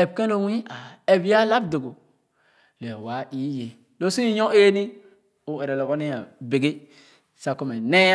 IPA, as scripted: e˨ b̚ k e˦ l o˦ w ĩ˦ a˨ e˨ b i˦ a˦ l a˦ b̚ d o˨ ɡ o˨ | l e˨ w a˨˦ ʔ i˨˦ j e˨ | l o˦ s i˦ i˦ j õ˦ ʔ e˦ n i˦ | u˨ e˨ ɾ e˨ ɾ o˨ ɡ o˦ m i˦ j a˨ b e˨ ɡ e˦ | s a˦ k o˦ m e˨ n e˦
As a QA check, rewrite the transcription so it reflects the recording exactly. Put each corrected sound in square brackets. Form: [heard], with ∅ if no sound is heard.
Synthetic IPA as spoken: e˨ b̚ k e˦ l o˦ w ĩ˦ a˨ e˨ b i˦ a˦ l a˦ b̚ d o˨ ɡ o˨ | l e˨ w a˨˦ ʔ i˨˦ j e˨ | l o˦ s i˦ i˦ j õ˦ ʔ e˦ n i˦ | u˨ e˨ ɾ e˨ [l] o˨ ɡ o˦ [n] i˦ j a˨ b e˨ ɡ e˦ | s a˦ k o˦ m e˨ n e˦